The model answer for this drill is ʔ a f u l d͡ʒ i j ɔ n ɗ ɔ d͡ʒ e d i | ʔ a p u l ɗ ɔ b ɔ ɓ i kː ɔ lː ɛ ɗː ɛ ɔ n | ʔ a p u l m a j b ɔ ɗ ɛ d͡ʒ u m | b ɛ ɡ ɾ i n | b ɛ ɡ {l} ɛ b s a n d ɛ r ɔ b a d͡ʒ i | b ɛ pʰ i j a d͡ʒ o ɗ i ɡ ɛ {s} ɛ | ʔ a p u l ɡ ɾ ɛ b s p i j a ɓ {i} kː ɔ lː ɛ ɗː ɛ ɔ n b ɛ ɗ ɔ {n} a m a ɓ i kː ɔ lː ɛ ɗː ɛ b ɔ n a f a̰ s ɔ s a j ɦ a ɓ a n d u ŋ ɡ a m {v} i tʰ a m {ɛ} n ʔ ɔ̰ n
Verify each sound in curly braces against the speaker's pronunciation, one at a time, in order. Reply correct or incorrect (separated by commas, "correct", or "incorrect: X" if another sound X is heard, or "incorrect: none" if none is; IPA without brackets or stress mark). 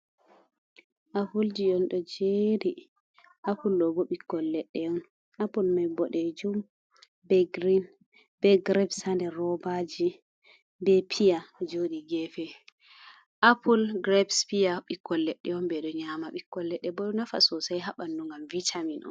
incorrect: ɾ, incorrect: f, correct, incorrect: ɲ, correct, incorrect: i